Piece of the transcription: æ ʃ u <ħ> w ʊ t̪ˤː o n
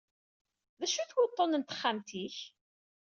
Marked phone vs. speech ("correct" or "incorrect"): incorrect